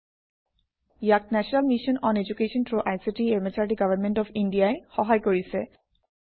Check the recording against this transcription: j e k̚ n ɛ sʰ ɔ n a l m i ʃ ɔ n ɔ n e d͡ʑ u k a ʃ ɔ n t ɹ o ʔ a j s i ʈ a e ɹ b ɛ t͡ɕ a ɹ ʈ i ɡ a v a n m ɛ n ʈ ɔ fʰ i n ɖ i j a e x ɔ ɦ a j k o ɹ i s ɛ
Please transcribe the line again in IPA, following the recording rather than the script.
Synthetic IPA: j a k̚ n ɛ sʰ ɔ n a l m i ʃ ɔ n ɔ n e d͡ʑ u k e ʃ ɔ n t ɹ o ʔ a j s i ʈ i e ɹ m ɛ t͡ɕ a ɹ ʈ i ɡ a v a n m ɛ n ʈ ɔ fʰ i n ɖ i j a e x ɔ ɦ a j k o ɹ i s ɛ